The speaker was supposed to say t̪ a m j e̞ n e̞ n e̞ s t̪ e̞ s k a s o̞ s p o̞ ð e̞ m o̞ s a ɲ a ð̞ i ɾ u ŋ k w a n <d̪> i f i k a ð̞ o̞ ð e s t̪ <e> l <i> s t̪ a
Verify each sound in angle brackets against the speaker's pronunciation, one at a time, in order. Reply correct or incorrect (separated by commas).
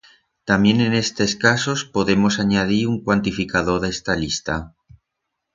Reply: incorrect, incorrect, correct